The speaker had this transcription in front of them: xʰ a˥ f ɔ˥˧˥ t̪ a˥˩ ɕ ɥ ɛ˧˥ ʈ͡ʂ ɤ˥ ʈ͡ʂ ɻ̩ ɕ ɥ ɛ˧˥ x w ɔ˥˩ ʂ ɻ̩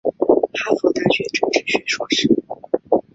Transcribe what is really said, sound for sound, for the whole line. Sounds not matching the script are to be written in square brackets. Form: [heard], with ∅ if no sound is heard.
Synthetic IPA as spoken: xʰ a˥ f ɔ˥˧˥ t̪ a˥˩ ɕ ɥ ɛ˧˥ ʈ͡ʂ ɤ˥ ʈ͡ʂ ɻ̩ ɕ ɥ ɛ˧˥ [ʂ] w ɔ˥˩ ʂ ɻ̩